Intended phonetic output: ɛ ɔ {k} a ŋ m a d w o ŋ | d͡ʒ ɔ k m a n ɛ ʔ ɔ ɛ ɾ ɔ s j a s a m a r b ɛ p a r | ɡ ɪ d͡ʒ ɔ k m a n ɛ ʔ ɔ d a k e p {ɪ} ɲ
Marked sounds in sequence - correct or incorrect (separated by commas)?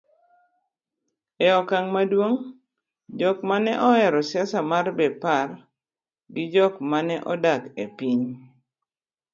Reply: correct, incorrect